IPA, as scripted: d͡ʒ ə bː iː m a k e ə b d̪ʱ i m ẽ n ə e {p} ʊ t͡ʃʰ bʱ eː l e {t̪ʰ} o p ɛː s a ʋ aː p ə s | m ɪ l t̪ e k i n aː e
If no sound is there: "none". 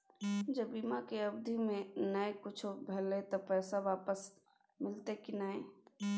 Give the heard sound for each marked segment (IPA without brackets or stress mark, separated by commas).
k, t̪